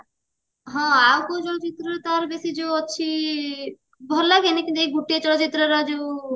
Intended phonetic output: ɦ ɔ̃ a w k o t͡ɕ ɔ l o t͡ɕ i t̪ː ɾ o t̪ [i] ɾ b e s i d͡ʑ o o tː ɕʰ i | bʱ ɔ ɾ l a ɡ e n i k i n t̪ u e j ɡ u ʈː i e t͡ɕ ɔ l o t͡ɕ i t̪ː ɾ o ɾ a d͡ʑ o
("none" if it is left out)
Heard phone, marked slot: a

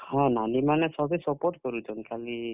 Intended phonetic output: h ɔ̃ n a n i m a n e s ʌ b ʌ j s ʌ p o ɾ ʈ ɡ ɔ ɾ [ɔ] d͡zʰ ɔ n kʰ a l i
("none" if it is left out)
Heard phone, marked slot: u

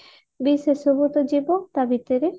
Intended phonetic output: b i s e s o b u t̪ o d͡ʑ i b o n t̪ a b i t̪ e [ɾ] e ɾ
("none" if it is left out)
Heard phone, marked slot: ɾ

